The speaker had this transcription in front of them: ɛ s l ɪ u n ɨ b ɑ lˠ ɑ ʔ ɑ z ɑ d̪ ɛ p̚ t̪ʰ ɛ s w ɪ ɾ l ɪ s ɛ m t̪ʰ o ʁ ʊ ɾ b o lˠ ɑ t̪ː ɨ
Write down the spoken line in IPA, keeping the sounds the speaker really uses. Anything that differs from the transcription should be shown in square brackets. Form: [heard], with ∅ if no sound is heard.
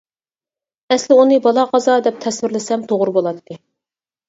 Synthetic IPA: ɛ s l ɪ u n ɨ b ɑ lˠ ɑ [q] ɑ z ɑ d̪ ɛ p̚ t̪ʰ ɛ s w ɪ ɾ l ɪ s ɛ m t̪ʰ o ʁ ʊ ɾ b o lˠ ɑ t̪ː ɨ